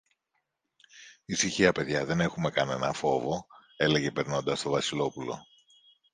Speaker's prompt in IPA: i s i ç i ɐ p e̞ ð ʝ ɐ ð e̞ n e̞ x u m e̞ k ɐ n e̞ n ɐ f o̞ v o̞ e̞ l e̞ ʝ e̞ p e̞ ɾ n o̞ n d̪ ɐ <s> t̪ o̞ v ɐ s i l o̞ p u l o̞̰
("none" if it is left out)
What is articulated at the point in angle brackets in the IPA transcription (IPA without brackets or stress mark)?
s